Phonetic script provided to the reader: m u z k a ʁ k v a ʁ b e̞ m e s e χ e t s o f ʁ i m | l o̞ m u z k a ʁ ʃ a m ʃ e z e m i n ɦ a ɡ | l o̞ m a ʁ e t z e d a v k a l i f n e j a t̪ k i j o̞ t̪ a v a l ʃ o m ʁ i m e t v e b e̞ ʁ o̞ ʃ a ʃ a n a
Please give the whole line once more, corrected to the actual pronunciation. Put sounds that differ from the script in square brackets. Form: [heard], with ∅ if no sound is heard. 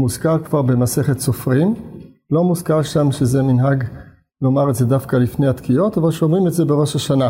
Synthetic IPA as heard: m u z k a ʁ k v a ʁ b e̞ m [a] s e χ e t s o f ʁ i m | l o̞ m u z k a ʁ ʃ a m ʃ e z e m i n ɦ a ɡ | l o̞ m a ʁ e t z e d a [f] k a l i f n e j a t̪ k i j o̞ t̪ a v a l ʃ o m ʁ i m e t [z] e b e̞ ʁ o̞ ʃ a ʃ a n a